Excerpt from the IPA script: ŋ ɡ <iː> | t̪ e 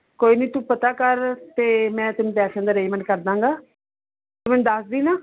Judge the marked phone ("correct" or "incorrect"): incorrect